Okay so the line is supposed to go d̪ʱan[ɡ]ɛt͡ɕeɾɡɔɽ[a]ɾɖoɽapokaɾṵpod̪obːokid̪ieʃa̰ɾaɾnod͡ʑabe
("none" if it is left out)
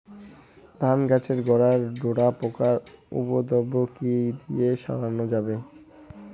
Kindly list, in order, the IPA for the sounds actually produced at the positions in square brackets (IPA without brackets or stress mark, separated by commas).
ɡ, a